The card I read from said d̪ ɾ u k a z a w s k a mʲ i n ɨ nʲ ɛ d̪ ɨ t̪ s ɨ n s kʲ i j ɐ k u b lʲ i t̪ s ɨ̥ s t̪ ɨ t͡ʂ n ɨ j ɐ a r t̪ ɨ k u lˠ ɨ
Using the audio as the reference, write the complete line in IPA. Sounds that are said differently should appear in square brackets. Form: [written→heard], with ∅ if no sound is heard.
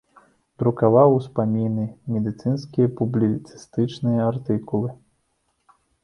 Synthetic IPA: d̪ ɾ u k a [z→v] a w s [k→p] a mʲ i n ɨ [nʲ→mʲ] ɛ d̪ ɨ t̪ s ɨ n s kʲ i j ɐ [k→p] u b lʲ i t̪ s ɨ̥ s t̪ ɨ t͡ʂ n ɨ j ɐ a r t̪ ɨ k u lˠ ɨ